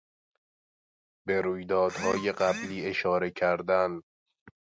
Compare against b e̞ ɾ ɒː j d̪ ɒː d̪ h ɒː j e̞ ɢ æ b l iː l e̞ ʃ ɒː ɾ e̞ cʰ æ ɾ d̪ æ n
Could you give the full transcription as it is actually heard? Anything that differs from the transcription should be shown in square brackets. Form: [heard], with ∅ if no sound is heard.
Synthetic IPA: b e̞ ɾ [uː] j d̪ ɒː d̪ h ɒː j e̞ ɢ æ b l iː [∅] e̞ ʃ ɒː ɾ e̞ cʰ æ ɾ d̪ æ n